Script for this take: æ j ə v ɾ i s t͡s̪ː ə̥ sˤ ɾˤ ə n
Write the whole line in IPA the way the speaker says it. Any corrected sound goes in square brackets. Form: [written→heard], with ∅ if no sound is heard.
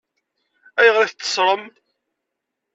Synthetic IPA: æ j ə [v→ʁ] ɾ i [s→θ] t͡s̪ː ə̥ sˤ ɾˤ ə [n→m]